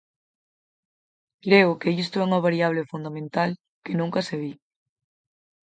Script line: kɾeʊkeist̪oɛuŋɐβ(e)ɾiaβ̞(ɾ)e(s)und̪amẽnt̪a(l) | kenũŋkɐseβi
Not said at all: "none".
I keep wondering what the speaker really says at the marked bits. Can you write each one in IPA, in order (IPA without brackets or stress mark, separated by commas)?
a, l, f, l